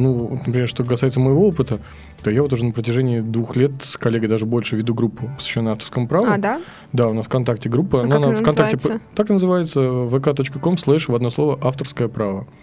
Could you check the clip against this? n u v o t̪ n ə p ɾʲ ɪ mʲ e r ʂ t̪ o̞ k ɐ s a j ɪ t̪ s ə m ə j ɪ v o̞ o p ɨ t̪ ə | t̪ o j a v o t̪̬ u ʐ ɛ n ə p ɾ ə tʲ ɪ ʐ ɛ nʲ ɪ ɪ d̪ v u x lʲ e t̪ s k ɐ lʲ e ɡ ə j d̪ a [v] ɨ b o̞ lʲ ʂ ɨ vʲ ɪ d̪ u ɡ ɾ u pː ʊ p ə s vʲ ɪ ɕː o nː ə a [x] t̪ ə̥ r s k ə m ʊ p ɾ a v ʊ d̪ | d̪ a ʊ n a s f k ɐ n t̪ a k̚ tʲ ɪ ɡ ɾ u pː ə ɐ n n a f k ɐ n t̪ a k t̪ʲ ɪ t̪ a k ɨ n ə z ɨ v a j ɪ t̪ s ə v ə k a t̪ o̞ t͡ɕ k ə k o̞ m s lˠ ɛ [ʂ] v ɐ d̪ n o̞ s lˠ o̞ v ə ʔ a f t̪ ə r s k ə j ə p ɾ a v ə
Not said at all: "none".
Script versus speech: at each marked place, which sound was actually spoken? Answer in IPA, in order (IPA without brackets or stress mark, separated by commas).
ʐ, f, ʂ